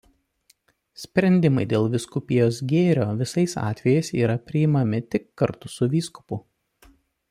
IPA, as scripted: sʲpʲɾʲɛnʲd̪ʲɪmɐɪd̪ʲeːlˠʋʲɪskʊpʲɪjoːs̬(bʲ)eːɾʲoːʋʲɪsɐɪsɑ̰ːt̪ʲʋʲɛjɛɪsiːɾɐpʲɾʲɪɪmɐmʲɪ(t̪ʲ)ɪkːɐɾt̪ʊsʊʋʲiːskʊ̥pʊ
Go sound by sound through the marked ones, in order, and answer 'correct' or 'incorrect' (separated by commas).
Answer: incorrect, correct